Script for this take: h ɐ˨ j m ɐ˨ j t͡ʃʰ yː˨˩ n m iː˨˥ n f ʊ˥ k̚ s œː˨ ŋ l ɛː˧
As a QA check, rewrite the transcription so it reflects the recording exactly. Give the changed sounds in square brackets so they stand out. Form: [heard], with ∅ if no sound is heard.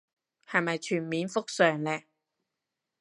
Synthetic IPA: h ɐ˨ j m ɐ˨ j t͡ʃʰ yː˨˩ n m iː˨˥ n f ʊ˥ k̚ s œː˨ ŋ l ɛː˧

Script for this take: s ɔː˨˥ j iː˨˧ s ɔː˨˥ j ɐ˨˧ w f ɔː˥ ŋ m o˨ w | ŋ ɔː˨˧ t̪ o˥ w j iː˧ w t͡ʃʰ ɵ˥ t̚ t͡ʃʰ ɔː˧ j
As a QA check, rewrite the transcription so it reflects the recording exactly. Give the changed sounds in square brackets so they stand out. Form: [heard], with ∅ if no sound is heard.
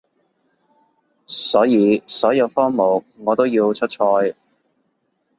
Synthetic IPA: s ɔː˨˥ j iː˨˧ s ɔː˨˥ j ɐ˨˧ w f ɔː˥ ŋ m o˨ w | ŋ ɔː˨˧ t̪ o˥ w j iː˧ w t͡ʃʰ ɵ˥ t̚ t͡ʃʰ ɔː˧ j

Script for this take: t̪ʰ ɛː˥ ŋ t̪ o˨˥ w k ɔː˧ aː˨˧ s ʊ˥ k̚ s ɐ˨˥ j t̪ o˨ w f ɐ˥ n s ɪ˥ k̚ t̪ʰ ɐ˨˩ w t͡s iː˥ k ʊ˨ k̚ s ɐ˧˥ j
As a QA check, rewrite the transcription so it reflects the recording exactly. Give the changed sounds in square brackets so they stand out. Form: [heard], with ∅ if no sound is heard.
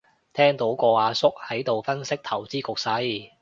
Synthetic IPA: t̪ʰ ɛː˥ ŋ t̪ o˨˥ w k ɔː˧ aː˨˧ s ʊ˥ k̚ [h] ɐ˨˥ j t̪ o˨ w f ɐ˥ n s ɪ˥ k̚ t̪ʰ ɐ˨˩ w t͡s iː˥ k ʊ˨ k̚ s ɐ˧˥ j

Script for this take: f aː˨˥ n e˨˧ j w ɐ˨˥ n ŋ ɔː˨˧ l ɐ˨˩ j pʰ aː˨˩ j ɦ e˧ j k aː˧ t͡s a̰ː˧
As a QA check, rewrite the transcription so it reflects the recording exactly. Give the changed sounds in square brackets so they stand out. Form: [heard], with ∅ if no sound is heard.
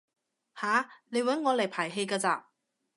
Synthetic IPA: [h] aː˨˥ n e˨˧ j w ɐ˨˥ n ŋ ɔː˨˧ l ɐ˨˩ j pʰ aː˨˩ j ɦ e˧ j k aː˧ t͡s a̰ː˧

